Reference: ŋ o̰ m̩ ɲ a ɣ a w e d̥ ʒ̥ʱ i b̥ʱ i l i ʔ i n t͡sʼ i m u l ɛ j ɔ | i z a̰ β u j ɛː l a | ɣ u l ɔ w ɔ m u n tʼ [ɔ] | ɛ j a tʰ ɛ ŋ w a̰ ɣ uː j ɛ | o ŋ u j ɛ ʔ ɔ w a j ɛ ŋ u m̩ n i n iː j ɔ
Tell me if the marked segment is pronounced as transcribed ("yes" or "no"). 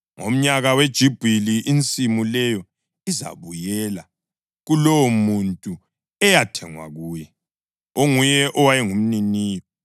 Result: no